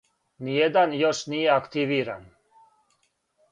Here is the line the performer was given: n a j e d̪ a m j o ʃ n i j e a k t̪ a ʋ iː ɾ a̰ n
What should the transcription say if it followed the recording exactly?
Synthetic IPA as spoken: n i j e d̪ a n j o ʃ n i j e a k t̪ i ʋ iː ɾ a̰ n